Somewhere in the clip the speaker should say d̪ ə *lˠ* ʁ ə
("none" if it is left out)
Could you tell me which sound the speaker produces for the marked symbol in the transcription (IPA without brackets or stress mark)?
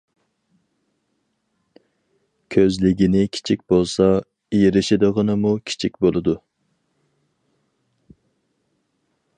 none